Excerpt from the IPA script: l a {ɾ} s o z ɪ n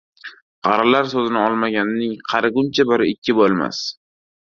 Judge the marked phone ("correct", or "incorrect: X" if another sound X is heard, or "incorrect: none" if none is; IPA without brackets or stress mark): correct